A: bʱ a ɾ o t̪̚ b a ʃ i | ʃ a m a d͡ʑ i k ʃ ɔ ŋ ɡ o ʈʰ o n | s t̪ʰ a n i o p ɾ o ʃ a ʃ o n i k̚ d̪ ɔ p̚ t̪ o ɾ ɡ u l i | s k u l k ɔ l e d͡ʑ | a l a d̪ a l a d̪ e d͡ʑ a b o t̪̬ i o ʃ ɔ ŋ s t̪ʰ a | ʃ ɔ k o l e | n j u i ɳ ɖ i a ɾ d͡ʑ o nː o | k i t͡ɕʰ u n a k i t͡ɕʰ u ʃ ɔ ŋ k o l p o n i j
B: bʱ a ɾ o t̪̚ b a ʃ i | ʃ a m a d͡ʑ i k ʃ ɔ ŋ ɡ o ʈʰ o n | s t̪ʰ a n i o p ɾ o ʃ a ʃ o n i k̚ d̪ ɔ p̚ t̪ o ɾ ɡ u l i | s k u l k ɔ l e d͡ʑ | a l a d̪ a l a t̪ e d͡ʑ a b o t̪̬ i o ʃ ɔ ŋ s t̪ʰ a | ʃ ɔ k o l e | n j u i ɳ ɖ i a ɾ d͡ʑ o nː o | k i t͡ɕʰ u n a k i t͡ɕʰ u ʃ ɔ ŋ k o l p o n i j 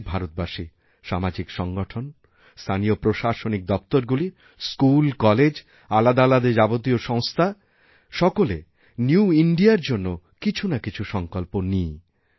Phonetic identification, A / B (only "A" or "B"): A